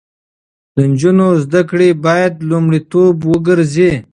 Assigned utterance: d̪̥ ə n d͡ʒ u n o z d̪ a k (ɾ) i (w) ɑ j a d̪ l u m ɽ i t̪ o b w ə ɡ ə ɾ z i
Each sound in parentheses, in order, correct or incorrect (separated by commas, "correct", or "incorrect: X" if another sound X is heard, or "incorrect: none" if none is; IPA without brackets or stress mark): incorrect: ɽ, incorrect: b